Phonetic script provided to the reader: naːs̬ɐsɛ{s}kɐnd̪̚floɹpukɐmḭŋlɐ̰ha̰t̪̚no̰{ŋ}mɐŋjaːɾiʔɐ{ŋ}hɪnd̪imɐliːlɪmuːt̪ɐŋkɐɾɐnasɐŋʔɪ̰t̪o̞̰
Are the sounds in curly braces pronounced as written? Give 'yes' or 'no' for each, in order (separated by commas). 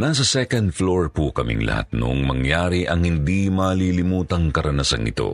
no, yes, yes